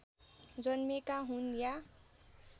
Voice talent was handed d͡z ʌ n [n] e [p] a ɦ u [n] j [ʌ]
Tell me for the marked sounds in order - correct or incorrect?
incorrect, incorrect, correct, incorrect

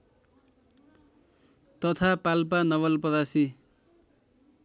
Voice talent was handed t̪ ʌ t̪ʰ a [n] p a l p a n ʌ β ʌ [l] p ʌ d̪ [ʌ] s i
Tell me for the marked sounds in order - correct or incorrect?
incorrect, correct, incorrect

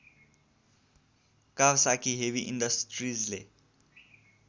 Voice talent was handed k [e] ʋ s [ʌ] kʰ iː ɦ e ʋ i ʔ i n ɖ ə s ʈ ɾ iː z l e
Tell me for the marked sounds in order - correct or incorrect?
incorrect, incorrect

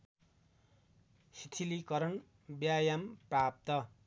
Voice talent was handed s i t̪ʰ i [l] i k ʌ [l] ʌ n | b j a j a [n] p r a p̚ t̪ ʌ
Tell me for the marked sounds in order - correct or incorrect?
correct, incorrect, incorrect

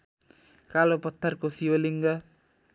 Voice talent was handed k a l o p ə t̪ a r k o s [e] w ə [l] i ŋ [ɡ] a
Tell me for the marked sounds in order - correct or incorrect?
incorrect, correct, correct

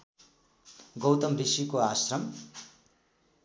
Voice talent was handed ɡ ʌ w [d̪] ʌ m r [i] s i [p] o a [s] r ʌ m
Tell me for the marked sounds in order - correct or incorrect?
incorrect, correct, incorrect, correct

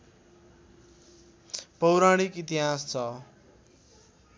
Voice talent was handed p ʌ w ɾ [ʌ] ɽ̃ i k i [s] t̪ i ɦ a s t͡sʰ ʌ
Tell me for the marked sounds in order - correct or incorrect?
incorrect, incorrect

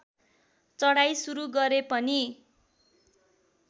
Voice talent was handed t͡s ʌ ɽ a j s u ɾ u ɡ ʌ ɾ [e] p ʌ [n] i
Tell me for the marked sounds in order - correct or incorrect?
correct, correct

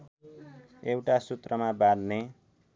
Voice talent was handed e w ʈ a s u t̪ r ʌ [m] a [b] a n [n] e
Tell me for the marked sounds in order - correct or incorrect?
correct, correct, correct

